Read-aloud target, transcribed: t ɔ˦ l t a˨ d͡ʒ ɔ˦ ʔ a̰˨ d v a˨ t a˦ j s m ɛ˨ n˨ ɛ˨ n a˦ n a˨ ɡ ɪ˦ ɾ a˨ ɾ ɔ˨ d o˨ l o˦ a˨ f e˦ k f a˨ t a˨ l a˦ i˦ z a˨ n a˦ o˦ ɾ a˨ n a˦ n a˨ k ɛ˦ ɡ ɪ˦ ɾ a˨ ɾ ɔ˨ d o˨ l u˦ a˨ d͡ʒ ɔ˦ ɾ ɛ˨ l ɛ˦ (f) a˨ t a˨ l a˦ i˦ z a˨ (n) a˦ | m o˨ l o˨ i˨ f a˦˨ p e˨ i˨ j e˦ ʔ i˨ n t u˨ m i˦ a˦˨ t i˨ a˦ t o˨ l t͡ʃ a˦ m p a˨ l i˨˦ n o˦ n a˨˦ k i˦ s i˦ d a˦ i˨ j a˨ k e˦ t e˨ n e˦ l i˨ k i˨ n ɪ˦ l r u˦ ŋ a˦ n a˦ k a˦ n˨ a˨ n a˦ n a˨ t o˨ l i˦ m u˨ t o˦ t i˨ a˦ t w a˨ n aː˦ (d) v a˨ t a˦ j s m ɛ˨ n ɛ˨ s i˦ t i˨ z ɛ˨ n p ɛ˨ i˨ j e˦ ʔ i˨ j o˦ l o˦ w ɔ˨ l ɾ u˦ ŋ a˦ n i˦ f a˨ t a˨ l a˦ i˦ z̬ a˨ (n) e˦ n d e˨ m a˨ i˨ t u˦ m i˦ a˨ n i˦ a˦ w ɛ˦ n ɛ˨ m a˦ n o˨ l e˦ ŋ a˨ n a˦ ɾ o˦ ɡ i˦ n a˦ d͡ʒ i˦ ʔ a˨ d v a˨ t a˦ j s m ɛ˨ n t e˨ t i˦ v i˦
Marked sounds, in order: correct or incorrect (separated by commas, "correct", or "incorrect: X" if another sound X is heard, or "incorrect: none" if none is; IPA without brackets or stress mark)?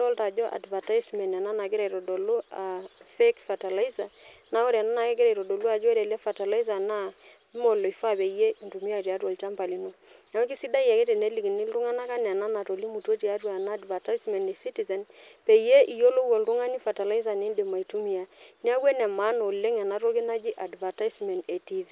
correct, correct, correct, correct